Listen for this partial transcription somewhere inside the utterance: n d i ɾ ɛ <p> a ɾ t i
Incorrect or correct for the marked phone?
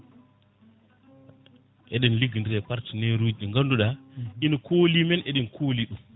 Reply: correct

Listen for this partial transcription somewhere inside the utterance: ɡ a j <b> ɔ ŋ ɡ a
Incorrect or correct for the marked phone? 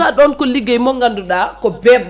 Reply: incorrect: m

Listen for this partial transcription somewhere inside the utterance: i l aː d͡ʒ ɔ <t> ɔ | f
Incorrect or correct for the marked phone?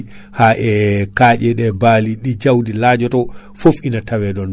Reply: correct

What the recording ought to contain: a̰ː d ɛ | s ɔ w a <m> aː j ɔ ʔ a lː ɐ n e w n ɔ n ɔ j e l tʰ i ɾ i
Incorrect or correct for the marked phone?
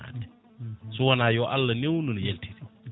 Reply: incorrect: n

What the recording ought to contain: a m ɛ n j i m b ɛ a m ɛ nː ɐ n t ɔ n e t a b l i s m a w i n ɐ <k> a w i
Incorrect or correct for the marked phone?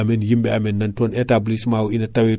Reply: incorrect: t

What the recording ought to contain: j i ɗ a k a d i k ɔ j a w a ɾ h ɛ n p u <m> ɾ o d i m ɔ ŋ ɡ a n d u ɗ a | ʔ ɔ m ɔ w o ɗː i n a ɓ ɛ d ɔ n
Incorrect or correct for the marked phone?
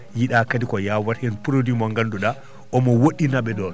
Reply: incorrect: none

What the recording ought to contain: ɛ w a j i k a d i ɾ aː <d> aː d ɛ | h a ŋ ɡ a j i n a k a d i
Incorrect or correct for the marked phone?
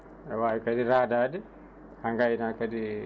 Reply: correct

